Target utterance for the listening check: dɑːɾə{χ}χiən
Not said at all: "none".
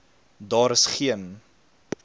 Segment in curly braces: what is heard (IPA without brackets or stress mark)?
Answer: s